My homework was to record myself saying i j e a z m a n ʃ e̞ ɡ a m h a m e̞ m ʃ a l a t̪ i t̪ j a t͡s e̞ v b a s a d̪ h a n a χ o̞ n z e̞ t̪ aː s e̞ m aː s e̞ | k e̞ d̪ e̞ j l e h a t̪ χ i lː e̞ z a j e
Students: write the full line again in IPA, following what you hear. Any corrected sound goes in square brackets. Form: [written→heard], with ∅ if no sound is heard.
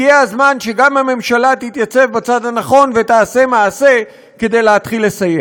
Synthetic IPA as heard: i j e a z m a n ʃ e̞ ɡ a m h a m e̞ m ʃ a l a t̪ i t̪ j a t͡s e̞ v b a [s→t͡s] a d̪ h a n a χ o̞ n [z→v] e̞ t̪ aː s e̞ m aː s e̞ | k e̞ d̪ e̞ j l e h a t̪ χ i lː e̞ [z→s] a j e